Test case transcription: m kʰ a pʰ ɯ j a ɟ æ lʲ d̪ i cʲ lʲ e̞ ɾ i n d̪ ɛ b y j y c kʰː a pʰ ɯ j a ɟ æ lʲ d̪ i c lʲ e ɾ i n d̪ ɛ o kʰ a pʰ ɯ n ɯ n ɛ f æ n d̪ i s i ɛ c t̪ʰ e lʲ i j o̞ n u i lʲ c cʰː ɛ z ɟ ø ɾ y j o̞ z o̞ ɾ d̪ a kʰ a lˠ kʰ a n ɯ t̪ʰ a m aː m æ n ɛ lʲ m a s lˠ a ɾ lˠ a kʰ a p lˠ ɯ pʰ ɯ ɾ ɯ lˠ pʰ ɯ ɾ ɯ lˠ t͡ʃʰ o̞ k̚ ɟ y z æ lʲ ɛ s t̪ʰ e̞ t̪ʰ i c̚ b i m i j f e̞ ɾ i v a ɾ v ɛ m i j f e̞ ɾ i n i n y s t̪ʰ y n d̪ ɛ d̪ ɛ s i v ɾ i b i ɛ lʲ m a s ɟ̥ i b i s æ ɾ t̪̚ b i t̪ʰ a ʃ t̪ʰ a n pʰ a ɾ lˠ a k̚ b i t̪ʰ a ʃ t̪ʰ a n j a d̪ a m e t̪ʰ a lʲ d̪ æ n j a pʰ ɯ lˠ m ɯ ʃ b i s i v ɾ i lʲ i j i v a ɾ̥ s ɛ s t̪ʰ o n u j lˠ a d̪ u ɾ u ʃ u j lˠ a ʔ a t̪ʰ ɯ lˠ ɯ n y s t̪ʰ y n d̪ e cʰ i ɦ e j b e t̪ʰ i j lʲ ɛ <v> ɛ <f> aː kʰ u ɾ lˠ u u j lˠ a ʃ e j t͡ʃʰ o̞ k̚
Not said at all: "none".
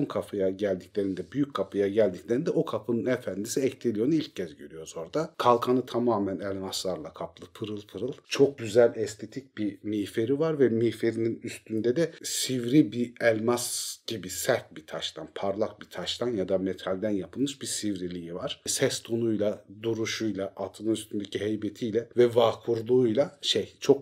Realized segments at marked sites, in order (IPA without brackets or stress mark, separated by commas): v, v